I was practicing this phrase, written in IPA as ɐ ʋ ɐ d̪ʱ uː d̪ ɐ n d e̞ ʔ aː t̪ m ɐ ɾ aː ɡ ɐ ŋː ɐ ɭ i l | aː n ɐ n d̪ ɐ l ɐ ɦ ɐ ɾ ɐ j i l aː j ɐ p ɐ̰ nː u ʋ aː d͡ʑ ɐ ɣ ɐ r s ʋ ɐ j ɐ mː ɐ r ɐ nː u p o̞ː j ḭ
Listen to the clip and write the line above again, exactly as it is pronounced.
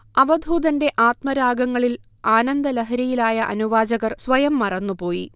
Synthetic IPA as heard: ɐ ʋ ɐ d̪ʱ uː d̪ ɐ n d e̞ ʔ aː t̪ m ɐ ɾ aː ɡ ɐ ŋː ɐ ɭ i l | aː n ɐ n d̪ ɐ l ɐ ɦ ɐ ɾ ɐ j i l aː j ɐ ʔ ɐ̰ n u ʋ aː d͡ʑ ɐ ɣ ɐ r s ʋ ɐ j ɐ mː ɐ r ɐ nː u p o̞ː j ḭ